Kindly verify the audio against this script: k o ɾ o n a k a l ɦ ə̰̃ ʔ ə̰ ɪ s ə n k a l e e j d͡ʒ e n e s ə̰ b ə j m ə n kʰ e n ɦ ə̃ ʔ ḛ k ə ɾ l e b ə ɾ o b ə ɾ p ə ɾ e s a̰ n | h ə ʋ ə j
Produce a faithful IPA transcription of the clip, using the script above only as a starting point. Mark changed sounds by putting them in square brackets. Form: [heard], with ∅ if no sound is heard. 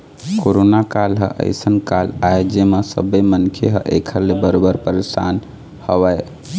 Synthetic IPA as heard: k o ɾ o n a k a l ɦ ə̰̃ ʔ ə̰ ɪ s ə n k a l [a] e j d͡ʒ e [m] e s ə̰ b ə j m ə n kʰ e [∅] ɦ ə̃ ʔ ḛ [kʰ] ə ɾ l e b ə ɾ o b ə ɾ p ə ɾ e s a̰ n | h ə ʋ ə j